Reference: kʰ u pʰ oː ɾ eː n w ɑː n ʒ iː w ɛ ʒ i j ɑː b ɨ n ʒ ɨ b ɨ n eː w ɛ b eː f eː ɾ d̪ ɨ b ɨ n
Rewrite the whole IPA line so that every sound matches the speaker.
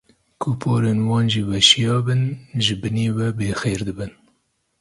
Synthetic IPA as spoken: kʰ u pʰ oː ɾ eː n w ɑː n ʒ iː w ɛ ʃ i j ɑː b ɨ n ʒ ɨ b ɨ n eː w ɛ b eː x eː ɾ d̪ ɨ b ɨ n